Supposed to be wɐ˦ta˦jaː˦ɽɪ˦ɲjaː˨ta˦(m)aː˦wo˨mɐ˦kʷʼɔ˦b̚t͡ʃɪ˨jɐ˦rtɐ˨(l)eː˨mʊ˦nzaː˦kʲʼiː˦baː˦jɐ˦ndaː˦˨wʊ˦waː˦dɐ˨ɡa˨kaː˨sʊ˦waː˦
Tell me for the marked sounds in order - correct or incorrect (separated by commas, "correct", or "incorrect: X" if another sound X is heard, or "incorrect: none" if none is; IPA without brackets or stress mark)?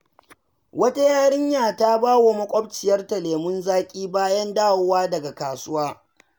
incorrect: b, correct